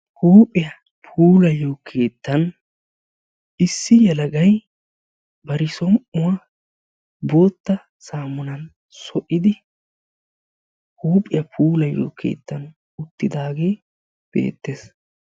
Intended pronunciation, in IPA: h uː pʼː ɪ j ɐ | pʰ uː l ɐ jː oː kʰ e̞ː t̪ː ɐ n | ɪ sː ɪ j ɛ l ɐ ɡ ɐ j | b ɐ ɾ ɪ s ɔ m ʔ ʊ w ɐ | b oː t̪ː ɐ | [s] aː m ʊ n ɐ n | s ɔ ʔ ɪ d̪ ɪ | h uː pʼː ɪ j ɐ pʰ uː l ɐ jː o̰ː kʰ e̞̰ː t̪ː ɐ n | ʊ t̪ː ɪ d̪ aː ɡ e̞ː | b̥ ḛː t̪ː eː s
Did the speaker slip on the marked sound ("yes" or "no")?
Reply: no